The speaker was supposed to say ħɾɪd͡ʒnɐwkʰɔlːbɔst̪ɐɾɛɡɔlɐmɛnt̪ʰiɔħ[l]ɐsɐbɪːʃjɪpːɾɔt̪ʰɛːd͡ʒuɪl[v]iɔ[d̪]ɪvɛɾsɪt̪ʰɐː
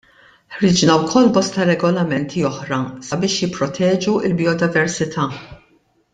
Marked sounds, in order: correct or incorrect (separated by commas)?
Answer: incorrect, incorrect, correct